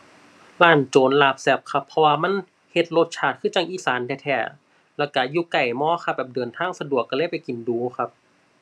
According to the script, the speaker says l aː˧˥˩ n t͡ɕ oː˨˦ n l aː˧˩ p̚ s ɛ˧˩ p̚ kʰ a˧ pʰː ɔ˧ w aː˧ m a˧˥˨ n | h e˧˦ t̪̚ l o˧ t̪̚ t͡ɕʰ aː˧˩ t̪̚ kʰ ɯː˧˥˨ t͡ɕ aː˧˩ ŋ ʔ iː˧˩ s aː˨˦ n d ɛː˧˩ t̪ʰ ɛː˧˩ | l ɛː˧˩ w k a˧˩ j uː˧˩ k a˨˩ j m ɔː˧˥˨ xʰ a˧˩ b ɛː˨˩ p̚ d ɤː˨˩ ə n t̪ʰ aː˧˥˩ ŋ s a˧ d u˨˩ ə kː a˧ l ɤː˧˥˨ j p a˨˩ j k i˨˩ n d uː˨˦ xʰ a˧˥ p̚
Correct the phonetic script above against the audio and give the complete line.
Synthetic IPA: l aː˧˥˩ n t͡ɕ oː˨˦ n l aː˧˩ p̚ s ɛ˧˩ p̚ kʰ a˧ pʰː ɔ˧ w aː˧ m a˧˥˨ n | h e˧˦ t̪̚ l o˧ t̪̚ t͡ɕʰ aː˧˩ t̪̚ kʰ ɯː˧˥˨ t͡ɕ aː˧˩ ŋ ʔ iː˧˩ s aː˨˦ n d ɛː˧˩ t̪ʰ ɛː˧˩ | l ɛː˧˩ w k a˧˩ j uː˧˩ k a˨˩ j m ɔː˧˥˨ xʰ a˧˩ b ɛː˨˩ p̚ d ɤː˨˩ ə n t̪ʰ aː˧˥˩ ŋ s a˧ d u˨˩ ə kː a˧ l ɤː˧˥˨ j p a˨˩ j k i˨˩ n d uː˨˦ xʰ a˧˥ p̚